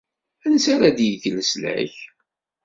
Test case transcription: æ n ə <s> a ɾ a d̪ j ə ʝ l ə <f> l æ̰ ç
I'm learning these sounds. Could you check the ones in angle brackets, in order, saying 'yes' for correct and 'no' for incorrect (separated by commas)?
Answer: yes, no